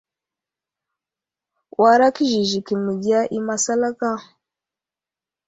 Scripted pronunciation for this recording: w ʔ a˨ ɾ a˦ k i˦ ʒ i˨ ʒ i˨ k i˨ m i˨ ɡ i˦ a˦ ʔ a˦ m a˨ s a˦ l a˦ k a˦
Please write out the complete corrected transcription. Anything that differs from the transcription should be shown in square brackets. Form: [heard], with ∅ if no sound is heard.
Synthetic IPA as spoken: w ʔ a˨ ɾ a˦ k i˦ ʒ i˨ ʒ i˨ k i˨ m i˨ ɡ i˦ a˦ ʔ [i˦] m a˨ s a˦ l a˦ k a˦